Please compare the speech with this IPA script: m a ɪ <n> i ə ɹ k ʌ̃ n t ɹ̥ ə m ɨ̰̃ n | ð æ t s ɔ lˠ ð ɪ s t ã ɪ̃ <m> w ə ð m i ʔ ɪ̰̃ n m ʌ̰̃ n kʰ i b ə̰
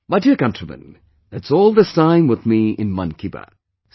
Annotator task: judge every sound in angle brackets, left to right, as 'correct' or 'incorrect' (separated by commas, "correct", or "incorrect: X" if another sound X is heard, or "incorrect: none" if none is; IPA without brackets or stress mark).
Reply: incorrect: d, correct